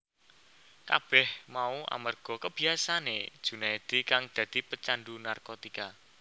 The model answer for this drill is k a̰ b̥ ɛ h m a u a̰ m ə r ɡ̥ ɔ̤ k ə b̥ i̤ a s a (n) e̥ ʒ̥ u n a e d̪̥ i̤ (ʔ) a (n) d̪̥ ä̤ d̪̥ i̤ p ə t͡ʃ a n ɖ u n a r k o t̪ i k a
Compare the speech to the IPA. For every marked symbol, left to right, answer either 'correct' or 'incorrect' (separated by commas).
correct, incorrect, incorrect